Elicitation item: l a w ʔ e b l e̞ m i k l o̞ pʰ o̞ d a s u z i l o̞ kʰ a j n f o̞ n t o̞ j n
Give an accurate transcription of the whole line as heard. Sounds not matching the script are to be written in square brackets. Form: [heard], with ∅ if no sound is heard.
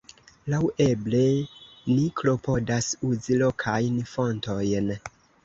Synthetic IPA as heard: l a w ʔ e b l e̞ [n] i k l o̞ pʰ o̞ d a s u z i l o̞ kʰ a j n f o̞ n t o̞ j n